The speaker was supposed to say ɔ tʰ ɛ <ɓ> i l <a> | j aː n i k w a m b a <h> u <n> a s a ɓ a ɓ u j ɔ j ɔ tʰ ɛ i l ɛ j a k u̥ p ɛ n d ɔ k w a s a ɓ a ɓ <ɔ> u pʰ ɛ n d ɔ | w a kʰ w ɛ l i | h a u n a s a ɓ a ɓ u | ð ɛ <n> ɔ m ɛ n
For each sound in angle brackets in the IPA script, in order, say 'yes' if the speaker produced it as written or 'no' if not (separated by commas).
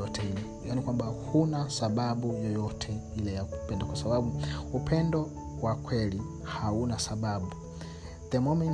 no, no, yes, yes, no, no